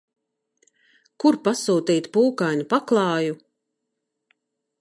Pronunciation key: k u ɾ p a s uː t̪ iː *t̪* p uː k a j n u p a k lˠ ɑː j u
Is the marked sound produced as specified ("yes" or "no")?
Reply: yes